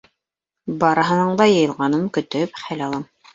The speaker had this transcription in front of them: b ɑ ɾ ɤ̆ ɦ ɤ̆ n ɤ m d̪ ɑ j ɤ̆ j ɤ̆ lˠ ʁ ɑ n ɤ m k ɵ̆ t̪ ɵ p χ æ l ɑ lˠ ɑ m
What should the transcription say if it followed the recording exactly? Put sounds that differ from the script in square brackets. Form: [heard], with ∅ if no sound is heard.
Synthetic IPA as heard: b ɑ ɾ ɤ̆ ɦ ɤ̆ n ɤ [ɴ] d̪ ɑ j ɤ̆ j ɤ̆ lˠ ʁ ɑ n ɤ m k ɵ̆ t̪ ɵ p χ æ l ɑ lˠ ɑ m